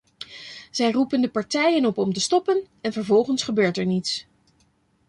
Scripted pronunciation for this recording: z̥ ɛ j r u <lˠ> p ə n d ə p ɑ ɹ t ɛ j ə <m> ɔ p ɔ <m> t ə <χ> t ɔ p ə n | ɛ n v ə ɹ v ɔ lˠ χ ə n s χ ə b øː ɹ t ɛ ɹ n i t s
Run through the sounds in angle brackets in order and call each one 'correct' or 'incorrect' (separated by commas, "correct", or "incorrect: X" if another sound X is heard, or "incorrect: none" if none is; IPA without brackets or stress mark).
incorrect: none, incorrect: n, correct, incorrect: s